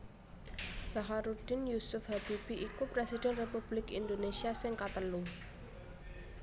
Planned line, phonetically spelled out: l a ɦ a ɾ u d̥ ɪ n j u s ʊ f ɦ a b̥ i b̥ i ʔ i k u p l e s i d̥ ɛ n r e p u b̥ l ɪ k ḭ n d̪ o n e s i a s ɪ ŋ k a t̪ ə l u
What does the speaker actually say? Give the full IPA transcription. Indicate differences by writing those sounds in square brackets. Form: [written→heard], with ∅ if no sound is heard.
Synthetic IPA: l a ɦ a ɾ u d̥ ɪ n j u s ʊ f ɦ a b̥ i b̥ i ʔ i k u p [l→ɾ] e s i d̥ ɛ n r e p u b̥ l ɪ k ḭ n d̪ o n e s i a s ɪ ŋ k a t̪ ə l u